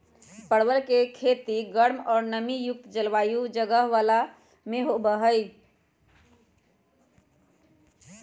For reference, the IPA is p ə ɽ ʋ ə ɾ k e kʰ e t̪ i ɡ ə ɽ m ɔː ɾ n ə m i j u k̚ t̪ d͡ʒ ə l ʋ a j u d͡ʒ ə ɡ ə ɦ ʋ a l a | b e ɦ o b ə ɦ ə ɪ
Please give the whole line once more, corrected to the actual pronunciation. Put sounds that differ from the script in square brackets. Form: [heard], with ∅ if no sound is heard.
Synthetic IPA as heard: p ə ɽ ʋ ə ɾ k e kʰ e t̪ i ɡ ə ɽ m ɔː ɾ n ə m i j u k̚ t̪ d͡ʒ ə l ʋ a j u d͡ʒ ə ɡ ə ɦ ʋ a l a | [m] e ɦ o b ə ɦ ə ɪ